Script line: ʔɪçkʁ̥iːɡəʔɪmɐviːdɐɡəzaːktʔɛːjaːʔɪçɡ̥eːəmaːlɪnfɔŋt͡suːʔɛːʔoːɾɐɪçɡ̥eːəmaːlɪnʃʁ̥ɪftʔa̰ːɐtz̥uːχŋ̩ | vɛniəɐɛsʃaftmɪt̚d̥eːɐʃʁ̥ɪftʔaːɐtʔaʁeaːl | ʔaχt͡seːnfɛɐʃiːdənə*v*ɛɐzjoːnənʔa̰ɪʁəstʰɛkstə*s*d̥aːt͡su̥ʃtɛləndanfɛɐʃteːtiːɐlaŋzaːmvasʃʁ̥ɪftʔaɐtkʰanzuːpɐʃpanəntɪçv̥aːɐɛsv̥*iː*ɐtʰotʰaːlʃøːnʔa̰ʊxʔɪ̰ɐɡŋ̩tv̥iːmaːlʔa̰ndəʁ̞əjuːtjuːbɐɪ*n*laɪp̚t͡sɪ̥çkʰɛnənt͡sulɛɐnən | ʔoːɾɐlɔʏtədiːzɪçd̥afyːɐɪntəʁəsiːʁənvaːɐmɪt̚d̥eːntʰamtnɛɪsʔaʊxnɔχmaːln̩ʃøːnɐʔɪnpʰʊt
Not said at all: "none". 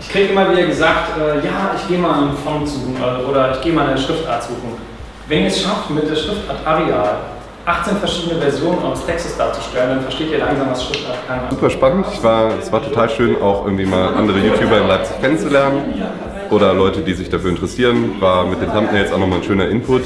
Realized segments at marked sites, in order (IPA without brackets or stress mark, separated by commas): v, s, aː, n